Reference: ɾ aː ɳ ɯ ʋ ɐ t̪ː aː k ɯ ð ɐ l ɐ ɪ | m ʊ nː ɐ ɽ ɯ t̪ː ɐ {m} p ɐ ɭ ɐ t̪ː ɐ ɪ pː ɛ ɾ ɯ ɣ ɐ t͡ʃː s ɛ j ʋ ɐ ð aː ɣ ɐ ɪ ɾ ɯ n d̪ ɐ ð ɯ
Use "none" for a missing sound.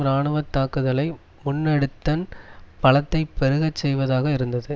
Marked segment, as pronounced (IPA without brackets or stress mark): n